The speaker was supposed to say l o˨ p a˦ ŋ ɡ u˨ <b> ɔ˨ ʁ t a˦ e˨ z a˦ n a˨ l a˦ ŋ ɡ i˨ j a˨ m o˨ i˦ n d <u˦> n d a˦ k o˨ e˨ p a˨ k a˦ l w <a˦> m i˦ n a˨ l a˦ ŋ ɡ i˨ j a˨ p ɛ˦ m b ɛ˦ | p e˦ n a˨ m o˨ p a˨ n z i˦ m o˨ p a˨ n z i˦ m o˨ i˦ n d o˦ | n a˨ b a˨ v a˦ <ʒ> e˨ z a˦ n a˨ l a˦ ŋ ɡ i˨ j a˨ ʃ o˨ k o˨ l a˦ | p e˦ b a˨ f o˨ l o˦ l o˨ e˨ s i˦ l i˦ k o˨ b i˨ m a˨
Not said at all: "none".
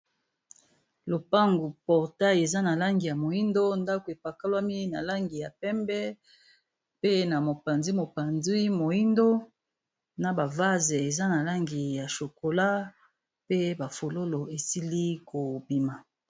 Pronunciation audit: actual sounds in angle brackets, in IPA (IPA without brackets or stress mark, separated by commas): p, o˦, a˦, z